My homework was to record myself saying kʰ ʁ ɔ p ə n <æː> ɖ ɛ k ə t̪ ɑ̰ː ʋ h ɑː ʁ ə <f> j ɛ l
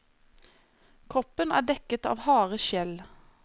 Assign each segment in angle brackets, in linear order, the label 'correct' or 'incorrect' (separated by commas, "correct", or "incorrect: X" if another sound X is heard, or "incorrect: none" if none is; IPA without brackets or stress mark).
correct, incorrect: ʃ